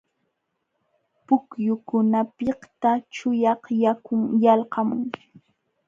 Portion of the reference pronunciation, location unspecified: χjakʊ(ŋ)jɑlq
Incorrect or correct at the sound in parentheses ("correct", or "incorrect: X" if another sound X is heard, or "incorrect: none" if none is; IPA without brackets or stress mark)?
correct